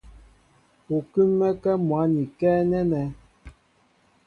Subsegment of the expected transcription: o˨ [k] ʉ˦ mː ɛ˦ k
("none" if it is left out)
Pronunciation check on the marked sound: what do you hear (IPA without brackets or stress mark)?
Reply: k